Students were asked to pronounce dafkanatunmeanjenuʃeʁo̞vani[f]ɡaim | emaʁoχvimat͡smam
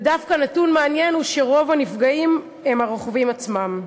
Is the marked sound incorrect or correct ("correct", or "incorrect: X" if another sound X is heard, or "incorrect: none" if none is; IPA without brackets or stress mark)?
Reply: correct